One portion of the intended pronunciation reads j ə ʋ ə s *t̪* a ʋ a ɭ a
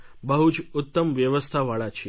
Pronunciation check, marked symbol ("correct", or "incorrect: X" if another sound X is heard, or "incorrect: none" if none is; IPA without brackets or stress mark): incorrect: t̪ʰ